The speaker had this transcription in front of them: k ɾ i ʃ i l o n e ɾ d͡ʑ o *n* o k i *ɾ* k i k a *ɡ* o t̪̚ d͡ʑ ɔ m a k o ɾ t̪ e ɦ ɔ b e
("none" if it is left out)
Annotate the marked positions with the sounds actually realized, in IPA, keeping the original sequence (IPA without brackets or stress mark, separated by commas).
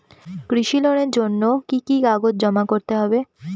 nː, none, ɡ